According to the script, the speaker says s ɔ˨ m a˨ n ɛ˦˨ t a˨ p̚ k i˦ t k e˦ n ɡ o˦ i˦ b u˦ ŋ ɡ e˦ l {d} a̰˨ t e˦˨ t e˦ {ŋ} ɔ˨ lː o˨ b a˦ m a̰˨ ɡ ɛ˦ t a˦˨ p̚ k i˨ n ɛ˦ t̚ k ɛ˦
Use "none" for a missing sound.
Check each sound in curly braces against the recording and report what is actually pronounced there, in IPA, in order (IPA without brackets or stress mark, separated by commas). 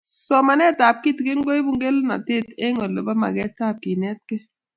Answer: n, ŋ